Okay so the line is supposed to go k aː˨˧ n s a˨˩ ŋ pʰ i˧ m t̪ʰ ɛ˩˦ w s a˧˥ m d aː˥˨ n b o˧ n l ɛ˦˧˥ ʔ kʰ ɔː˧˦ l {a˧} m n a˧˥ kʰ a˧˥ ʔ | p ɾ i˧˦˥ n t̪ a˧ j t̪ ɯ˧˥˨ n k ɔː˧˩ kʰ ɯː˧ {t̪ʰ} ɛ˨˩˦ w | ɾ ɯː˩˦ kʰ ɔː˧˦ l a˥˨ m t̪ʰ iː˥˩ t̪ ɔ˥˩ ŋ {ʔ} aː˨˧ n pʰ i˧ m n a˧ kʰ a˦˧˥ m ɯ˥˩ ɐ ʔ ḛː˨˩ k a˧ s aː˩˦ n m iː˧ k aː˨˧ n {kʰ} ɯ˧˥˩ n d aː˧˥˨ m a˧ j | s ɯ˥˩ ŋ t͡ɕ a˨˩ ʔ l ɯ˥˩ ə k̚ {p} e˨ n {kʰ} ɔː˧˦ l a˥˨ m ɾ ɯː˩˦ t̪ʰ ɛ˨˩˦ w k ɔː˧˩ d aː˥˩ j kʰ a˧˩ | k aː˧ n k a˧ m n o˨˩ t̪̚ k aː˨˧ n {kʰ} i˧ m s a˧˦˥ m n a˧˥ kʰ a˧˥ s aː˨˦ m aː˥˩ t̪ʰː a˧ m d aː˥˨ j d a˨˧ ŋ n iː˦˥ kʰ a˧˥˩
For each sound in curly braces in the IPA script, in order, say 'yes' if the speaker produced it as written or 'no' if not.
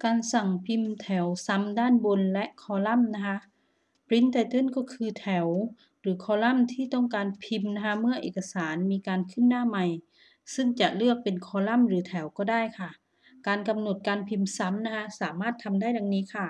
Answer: no, yes, no, yes, yes, yes, no

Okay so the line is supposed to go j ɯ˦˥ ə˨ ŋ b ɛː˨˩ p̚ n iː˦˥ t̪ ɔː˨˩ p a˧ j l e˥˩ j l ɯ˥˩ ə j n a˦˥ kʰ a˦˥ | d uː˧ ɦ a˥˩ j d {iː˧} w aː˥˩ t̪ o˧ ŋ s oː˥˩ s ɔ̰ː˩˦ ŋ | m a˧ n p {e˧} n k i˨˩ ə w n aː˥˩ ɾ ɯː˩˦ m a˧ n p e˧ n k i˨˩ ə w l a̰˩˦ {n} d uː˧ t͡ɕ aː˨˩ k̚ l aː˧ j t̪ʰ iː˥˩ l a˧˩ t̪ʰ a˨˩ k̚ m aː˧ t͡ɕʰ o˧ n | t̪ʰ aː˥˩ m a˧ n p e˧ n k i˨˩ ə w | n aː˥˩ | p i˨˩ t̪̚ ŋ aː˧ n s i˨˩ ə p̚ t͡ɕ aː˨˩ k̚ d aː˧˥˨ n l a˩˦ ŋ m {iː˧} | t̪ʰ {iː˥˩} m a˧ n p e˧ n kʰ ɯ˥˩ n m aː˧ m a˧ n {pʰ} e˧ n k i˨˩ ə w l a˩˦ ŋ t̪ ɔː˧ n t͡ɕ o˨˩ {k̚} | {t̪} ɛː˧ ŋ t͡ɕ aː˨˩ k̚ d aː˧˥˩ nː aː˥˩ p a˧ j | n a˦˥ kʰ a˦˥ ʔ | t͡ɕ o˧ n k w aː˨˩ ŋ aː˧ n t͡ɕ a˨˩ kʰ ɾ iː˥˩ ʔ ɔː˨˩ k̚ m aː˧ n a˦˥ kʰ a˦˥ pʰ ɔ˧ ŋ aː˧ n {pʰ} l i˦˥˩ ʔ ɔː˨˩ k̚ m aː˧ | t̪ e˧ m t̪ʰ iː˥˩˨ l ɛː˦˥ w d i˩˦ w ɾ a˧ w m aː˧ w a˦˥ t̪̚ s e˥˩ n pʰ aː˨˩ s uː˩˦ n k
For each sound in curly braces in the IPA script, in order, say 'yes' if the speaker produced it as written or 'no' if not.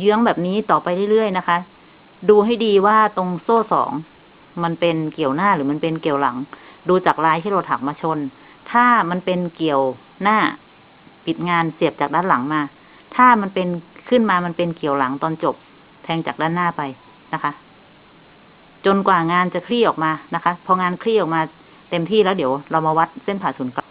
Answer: yes, yes, no, no, no, no, no, no, no

